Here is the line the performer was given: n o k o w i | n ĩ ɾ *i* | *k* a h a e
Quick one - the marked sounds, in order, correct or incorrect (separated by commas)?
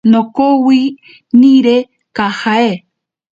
incorrect, correct